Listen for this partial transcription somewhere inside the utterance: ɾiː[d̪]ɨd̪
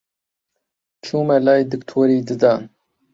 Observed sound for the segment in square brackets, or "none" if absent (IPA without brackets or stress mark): d̪